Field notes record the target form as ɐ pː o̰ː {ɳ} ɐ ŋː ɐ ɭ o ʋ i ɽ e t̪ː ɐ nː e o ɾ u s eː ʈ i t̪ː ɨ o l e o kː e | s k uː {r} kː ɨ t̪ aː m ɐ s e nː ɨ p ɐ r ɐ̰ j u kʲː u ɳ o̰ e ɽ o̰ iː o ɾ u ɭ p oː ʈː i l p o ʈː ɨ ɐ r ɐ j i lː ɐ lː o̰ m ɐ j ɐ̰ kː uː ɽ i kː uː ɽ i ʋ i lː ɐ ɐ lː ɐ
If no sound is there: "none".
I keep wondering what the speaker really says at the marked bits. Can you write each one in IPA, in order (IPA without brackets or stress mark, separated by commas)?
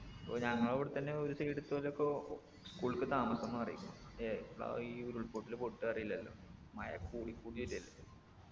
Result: ɲ, ɭ